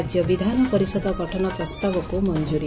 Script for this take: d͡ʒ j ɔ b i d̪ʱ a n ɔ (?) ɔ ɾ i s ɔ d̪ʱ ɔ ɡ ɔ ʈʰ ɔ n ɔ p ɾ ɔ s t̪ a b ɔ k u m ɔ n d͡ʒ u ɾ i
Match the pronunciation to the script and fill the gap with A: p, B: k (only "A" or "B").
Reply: A